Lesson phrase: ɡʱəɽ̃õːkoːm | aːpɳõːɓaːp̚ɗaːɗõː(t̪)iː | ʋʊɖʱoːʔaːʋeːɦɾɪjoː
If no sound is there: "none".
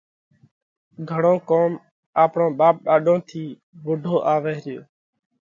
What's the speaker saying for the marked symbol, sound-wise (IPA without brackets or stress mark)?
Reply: t̪ʰ